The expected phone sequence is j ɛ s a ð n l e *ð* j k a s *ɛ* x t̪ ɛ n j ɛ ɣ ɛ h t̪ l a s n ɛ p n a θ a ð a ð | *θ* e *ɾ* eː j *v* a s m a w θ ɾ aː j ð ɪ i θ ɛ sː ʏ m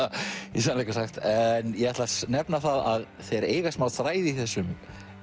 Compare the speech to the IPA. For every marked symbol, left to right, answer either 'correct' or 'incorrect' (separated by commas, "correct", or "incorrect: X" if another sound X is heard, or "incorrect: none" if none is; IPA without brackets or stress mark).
incorrect: none, incorrect: a, correct, correct, incorrect: ɣ